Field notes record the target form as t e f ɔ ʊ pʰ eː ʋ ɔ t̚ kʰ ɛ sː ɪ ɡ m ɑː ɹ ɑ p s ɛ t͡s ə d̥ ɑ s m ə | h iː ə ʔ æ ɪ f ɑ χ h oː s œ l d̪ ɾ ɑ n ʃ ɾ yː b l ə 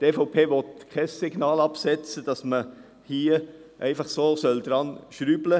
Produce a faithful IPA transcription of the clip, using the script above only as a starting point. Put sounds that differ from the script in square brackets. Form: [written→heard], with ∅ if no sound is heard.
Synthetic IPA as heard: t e f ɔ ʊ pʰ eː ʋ ɔ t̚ kʰ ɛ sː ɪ ɡ [m→n] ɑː [ɹ→l] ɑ p s ɛ t͡s ə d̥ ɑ s m ə | h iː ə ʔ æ ɪ f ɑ χ [h→s] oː s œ l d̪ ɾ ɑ n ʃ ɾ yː b l ə